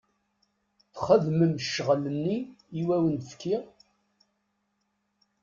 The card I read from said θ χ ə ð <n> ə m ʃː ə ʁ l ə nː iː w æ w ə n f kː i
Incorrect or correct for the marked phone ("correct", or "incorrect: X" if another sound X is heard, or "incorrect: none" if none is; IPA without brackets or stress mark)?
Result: incorrect: m